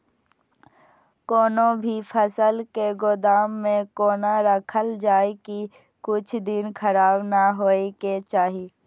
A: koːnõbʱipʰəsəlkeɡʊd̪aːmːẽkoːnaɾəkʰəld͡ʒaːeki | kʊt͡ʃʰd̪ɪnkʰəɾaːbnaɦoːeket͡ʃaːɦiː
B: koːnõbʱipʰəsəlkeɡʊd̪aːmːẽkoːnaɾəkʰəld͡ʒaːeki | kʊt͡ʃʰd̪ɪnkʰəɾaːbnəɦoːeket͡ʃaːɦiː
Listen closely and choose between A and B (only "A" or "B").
A